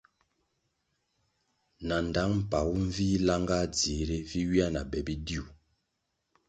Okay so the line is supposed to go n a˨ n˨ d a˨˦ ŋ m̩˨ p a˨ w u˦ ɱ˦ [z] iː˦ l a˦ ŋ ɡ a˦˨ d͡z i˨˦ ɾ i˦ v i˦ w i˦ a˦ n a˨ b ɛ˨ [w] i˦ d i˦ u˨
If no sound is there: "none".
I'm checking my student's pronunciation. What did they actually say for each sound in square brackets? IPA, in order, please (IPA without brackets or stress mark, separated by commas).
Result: v, b